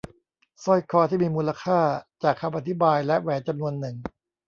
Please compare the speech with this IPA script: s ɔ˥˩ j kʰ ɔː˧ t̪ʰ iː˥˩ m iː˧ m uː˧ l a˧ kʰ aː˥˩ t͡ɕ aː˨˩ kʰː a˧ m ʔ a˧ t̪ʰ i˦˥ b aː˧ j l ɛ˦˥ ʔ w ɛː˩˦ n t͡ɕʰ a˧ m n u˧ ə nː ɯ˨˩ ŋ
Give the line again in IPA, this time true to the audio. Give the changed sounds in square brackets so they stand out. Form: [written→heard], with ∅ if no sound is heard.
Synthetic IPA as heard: s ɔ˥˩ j kʰ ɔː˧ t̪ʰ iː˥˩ m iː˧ m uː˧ l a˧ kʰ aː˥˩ t͡ɕ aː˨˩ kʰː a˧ m ʔ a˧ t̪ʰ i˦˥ b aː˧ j l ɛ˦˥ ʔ w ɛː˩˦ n [t͡ɕʰ→t͡ɕ] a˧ m n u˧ ə nː ɯ˨˩ ŋ

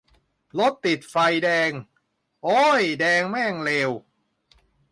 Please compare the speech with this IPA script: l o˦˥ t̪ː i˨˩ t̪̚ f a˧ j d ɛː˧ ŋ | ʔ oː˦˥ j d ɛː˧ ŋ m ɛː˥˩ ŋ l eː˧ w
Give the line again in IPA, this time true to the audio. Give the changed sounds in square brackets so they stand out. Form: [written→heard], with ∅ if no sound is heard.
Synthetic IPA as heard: l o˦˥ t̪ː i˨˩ t̪̚ f a˧ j d ɛː˧ ŋ | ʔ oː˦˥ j d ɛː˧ ŋ m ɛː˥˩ ŋ l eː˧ w

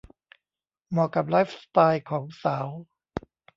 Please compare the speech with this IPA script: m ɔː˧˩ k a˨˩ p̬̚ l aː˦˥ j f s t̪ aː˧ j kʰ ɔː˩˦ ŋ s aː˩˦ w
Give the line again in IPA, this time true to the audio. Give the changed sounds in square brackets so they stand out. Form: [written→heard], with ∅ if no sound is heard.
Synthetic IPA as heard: m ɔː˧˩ k a˨˩ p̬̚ l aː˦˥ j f s t̪ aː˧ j kʰ ɔː˩˦ ŋ s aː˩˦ w

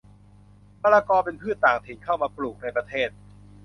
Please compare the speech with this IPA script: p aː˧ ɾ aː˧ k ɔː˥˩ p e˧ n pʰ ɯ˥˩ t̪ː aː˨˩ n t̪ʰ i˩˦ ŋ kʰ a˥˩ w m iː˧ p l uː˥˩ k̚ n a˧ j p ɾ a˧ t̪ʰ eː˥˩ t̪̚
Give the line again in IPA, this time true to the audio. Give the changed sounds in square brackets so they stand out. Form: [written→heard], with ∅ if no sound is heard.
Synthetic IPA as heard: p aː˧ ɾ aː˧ k [ɔː˥˩→ɔː˧] p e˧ n pʰ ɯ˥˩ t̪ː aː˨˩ [n→ŋ] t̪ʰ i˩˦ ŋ kʰ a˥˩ w m [iː˧→aː˧] p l [uː˥˩→uː˨˩] k̚ n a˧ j p ɾ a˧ t̪ʰ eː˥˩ t̪̚

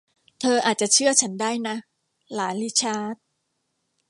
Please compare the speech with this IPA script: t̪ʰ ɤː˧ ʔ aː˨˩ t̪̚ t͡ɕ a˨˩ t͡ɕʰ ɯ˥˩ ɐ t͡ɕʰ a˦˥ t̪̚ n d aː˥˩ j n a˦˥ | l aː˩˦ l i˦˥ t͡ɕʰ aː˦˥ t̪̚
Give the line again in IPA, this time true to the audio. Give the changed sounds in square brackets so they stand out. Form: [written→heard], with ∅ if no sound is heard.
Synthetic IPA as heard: t̪ʰ ɤː˧ ʔ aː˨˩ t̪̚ t͡ɕ a˨˩ t͡ɕʰ ɯ˥˩ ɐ t͡ɕʰ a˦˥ [t̪̚→∅] n d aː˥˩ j n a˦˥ | l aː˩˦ l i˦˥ t͡ɕʰ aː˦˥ t̪̚

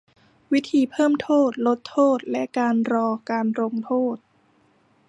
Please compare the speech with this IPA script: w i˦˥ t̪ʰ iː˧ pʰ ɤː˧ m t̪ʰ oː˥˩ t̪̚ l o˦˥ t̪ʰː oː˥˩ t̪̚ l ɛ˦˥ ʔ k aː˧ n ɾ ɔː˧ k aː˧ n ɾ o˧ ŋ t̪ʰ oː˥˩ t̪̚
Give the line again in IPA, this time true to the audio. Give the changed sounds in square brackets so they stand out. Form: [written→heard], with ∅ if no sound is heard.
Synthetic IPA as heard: w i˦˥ t̪ʰ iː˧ pʰ [ɤː˧→ɤː˥˩] m t̪ʰ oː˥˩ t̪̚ l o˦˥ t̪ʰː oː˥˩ t̪̚ l ɛ˦˥ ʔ k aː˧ n ɾ ɔː˧ k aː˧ n ɾ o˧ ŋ t̪ʰ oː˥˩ t̪̚

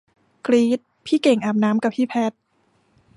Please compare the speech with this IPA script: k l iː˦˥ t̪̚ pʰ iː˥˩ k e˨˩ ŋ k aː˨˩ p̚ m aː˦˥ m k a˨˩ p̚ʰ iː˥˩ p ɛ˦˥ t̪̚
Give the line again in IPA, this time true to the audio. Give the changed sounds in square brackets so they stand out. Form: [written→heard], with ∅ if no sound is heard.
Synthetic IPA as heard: k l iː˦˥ t̪̚ pʰ iː˥˩ k e˨˩ ŋ [k→ʔ] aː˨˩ p̚ [m→n] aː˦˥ m k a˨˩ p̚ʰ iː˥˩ [p→pʰ] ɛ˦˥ t̪̚

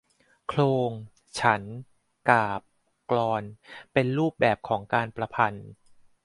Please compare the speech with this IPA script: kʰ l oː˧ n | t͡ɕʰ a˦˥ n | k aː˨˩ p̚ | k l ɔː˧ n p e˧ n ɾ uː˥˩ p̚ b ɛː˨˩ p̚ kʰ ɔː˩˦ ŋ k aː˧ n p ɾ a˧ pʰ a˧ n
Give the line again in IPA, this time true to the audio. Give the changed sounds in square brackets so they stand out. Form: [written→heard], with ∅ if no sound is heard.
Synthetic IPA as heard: kʰ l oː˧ [n→ŋ] | t͡ɕʰ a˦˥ n | k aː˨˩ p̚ | k l ɔː˧ n p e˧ n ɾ uː˥˩ p̚ b ɛː˨˩ p̚ kʰ ɔː˩˦ ŋ k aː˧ n p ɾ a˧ pʰ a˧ n

